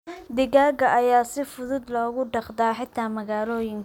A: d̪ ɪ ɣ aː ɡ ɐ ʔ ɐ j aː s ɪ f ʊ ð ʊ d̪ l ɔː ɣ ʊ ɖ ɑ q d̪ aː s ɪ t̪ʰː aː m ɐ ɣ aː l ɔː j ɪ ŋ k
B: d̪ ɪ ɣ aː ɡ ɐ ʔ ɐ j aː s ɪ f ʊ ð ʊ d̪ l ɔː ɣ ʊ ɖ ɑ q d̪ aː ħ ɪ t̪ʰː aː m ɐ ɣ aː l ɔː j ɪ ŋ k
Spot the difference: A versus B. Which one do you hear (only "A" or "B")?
B